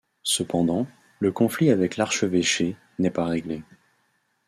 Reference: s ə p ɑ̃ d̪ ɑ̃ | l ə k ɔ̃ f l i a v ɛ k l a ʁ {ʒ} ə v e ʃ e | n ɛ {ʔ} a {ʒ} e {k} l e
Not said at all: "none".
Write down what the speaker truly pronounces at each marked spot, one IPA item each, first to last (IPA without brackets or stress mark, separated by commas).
ʃ, p, ʁ, ɡ